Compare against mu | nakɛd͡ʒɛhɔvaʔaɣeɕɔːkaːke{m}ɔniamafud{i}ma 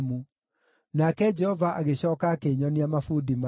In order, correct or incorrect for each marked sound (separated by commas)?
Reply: incorrect, correct